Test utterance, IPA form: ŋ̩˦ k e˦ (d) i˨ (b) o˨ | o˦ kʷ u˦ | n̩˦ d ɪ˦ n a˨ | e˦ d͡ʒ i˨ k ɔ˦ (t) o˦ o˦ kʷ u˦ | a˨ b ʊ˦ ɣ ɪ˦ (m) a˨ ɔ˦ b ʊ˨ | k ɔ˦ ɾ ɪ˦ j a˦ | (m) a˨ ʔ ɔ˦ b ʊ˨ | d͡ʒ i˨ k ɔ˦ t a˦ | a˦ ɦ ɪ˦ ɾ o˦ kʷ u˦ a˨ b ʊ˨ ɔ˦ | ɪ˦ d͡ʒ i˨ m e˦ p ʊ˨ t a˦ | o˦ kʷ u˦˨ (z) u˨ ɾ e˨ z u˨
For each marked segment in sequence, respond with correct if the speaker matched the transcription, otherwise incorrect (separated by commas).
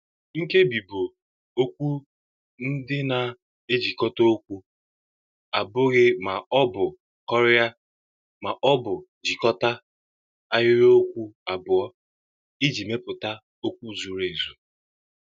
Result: incorrect, correct, correct, correct, correct, correct